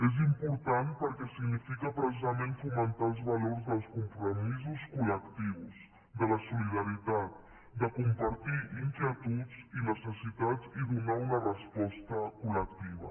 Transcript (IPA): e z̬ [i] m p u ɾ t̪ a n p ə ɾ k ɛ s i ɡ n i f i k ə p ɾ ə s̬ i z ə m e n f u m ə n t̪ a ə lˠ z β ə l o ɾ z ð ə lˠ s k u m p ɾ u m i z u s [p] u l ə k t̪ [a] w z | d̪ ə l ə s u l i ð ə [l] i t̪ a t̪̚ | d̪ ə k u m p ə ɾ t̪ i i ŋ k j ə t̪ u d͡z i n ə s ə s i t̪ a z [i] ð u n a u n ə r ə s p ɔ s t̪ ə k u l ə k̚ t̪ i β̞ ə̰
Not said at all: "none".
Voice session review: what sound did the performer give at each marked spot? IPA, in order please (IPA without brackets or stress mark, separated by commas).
i, k, i, ɾ, i